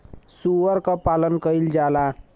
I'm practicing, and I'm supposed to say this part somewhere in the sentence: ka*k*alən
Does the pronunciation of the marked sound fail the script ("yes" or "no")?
yes